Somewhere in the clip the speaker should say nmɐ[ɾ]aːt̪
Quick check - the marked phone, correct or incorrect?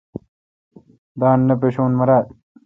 correct